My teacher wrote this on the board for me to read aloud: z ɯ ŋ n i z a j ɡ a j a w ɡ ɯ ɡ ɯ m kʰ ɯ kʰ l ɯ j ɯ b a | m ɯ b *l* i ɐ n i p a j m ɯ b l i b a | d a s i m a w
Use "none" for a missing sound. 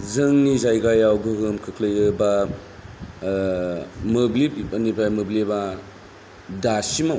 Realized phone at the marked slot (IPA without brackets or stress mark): l